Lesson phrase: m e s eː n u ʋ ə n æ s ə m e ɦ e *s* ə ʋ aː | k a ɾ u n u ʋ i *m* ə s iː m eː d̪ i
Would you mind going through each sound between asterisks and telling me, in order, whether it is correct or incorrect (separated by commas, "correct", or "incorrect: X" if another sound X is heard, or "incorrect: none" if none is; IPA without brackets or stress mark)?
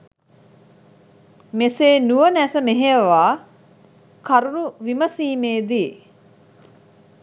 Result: incorrect: none, correct